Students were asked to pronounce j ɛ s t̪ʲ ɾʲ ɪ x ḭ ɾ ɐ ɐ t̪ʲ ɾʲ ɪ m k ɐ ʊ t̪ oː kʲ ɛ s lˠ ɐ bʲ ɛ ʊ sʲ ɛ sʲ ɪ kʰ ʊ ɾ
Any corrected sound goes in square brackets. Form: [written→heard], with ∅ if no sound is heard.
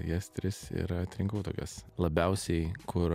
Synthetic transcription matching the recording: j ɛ s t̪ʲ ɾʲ ɪ [x→s] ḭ ɾ ɐ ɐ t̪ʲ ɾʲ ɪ [m→ŋ] k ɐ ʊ t̪ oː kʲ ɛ s lˠ ɐ bʲ ɛ ʊ sʲ ɛ [sʲ→∅] ɪ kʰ ʊ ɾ